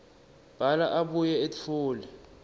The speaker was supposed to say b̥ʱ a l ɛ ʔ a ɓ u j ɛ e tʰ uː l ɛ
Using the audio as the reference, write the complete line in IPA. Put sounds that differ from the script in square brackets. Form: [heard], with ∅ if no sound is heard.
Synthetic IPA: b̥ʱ a l [a] ʔ a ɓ u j ɛ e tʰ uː l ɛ